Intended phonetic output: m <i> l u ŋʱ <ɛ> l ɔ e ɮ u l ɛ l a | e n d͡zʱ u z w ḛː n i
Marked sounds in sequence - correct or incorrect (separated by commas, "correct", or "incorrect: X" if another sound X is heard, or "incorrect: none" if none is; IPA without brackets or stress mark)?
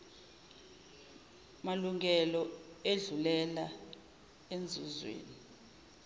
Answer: incorrect: a, correct